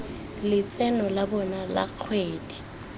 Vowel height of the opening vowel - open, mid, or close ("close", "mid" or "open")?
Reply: close